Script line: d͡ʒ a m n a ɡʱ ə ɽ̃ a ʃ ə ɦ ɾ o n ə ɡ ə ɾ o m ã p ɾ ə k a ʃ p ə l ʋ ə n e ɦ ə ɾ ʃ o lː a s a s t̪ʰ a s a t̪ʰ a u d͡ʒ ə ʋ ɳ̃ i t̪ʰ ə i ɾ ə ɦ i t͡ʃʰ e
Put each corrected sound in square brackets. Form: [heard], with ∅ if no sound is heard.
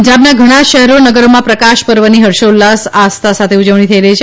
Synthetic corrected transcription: d͡ʒ a [b] n a ɡʱ ə ɽ̃ a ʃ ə ɦ ɾ o n ə ɡ ə ɾ o m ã p ɾ ə k a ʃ p ə [ɾ] ʋ ə n [i] ɦ ə ɾ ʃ o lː a s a s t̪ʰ a s a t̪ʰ [e] u d͡ʒ ə ʋ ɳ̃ i t̪ʰ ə i ɾ ə ɦ i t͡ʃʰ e